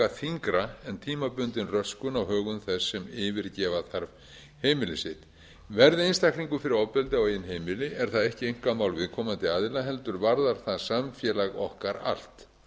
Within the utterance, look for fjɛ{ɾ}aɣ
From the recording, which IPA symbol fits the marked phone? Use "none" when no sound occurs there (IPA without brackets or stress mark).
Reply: l